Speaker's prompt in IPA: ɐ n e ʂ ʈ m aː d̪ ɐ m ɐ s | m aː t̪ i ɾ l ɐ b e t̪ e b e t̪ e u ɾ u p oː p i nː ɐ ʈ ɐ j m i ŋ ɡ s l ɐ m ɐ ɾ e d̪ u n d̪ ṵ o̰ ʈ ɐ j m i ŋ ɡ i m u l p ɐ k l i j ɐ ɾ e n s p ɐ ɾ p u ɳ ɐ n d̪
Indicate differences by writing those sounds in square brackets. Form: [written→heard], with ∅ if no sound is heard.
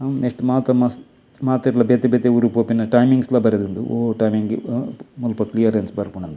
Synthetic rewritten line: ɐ n e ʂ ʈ m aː [d̪→t̪] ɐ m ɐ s | m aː t̪ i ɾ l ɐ b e t̪ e b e t̪ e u ɾ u p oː p i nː ɐ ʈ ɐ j m i ŋ ɡ s l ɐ [m→b] ɐ ɾ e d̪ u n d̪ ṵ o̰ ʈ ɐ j m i ŋ ɡ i m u l p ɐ k l i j ɐ ɾ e n s [p→b] ɐ ɾ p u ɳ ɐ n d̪